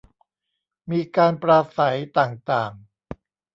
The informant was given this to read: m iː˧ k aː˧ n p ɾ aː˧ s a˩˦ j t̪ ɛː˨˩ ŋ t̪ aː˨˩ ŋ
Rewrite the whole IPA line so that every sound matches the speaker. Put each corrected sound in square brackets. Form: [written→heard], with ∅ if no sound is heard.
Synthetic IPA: m iː˧ k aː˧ n p ɾ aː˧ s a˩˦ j t̪ [ɛː˨˩→aː˨˩] ŋ t̪ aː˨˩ ŋ